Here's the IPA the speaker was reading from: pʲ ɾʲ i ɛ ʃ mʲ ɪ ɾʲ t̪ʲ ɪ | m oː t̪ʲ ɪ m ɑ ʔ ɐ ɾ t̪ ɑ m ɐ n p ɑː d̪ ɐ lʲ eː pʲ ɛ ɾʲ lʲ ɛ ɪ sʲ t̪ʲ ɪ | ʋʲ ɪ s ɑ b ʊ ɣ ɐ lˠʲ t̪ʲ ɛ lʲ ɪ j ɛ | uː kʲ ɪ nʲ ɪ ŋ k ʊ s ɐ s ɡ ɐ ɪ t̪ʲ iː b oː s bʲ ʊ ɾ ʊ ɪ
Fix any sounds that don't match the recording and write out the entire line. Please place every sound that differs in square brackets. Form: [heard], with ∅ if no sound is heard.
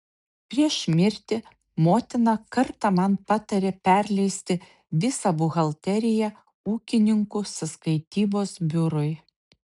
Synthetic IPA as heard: pʲ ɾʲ i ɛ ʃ mʲ ɪ ɾʲ t̪ʲ ɪ | m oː t̪ʲ ɪ [n] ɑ [k] ɐ ɾ t̪ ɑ m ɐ n p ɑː [t̪] ɐ [ɾʲ] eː pʲ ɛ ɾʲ lʲ ɛ ɪ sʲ t̪ʲ ɪ | ʋʲ ɪ s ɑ b ʊ ɣ ɐ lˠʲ t̪ʲ ɛ [ɾʲ] ɪ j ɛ | uː kʲ ɪ nʲ ɪ ŋ k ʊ s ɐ s [k] ɐ ɪ t̪ʲ iː b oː s bʲ ʊ ɾ ʊ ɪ